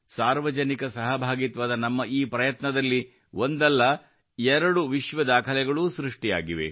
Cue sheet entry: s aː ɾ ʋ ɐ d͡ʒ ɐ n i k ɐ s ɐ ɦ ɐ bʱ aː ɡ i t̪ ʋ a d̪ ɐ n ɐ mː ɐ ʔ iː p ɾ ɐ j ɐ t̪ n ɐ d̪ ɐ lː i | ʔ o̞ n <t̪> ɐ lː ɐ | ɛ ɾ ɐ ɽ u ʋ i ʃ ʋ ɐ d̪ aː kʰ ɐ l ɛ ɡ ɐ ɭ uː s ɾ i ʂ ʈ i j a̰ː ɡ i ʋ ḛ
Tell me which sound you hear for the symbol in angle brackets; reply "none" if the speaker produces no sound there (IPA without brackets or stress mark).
d̪